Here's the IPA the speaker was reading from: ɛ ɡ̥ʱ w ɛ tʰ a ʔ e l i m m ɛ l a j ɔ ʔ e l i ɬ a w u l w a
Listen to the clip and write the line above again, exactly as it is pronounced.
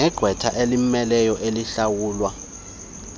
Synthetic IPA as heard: ɛ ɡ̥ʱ w ɛ tʰ a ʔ e l i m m ɛ l ɛ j ɔ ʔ e l i ɬ a w uː l w a